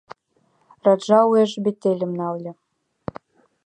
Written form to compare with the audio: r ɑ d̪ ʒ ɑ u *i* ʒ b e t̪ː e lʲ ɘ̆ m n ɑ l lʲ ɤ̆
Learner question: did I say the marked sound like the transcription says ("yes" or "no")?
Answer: no